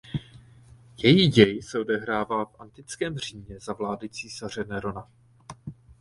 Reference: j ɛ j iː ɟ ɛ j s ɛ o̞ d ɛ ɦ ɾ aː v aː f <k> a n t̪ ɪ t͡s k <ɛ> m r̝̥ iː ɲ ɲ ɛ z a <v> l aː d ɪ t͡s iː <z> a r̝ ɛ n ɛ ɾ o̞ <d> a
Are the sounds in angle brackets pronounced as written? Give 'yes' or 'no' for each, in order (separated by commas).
no, no, yes, no, no